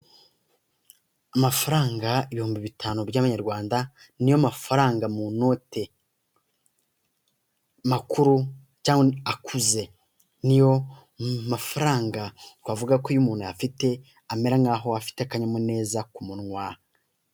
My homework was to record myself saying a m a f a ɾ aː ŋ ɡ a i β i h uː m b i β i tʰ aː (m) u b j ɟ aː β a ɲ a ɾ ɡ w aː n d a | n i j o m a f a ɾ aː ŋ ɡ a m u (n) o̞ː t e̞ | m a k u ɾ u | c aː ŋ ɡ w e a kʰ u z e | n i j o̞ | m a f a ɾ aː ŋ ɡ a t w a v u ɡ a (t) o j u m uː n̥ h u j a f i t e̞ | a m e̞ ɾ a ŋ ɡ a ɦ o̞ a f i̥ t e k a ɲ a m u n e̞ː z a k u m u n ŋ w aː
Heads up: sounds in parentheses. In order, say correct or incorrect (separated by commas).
incorrect, correct, incorrect